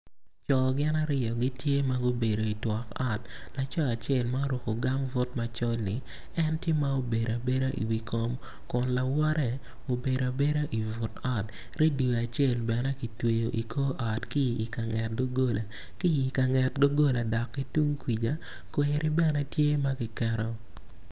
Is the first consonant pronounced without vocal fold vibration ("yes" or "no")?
yes